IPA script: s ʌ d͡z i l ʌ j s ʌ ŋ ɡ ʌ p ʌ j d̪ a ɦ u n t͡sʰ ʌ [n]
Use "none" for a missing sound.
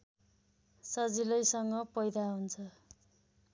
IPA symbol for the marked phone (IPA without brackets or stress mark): none